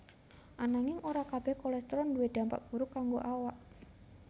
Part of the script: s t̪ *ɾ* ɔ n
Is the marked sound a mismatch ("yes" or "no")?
no